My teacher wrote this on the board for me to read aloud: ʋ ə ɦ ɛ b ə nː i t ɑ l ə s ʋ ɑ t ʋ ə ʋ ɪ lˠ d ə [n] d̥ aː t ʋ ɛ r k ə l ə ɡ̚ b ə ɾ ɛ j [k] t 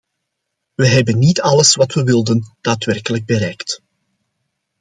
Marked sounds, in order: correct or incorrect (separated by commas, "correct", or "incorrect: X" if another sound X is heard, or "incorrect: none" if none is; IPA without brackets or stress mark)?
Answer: correct, correct